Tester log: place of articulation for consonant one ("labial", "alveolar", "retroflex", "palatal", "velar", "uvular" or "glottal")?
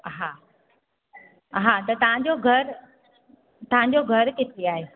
glottal